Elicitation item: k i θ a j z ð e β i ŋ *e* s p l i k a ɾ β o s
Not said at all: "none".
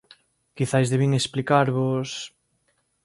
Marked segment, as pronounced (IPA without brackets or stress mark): e